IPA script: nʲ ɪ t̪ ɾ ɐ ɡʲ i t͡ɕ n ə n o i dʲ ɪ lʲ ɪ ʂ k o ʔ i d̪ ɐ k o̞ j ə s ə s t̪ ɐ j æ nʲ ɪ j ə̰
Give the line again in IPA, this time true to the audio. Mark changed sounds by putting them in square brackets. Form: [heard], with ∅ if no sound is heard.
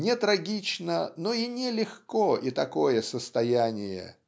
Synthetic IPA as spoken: nʲ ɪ t̪ ɾ ɐ ɡʲ i t͡ɕ n ə n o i [nʲ] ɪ lʲ ɪ [x] k o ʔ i [t̪] ɐ k o̞ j ə s ə s t̪ ɐ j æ nʲ ɪ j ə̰